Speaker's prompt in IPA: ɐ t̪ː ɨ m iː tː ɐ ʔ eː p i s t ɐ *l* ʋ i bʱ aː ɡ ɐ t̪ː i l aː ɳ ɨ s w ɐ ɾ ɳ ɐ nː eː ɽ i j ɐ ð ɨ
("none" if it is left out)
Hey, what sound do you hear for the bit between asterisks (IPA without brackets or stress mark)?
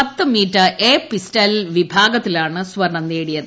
l